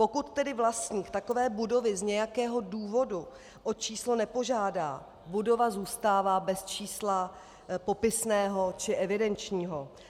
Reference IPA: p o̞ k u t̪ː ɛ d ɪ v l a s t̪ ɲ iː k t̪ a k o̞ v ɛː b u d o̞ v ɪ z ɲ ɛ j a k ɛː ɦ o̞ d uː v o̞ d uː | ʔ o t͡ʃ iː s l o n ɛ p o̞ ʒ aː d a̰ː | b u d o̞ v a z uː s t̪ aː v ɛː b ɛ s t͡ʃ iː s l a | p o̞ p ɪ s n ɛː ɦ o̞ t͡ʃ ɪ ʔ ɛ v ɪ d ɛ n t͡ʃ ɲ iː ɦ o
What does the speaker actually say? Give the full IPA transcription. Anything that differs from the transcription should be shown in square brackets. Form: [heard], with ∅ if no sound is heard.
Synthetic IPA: p o̞ k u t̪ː ɛ d ɪ v l a s t̪ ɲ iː k t̪ a k o̞ v ɛː b u d o̞ v ɪ z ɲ ɛ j a k ɛː ɦ o̞ d uː v o̞ d [u] | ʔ o t͡ʃ iː s l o n ɛ p o̞ ʒ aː d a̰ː | b u d o̞ v a z uː s t̪ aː v [aː] b ɛ s t͡ʃ iː s l a | p o̞ p ɪ s n ɛː ɦ o̞ t͡ʃ ɪ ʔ ɛ v ɪ d ɛ n t͡ʃ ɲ iː ɦ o

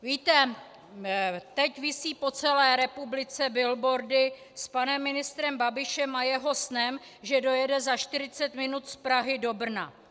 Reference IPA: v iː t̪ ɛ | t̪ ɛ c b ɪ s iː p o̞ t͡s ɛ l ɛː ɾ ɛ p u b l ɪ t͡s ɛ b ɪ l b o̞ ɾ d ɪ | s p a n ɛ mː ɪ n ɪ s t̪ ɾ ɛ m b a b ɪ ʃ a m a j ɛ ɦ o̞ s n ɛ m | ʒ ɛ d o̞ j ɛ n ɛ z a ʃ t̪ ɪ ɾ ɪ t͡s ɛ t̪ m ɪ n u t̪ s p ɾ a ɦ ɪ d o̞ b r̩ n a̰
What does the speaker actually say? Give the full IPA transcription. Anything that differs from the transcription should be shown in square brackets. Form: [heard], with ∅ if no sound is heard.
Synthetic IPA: v iː t̪ ɛ | t̪ ɛ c [v] ɪ s iː p o̞ t͡s ɛ l ɛː ɾ ɛ p u b l ɪ t͡s ɛ b ɪ l b o̞ ɾ d ɪ | s p a n ɛ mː ɪ n ɪ s t̪ ɾ ɛ m b a b ɪ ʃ [ɛ] m a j ɛ ɦ o̞ s n ɛ m | ʒ ɛ d o̞ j ɛ [d] ɛ z a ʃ t̪ ɪ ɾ ɪ t͡s ɛ t̪ m ɪ n u t̪ s p ɾ a ɦ ɪ d o̞ b r̩ n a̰

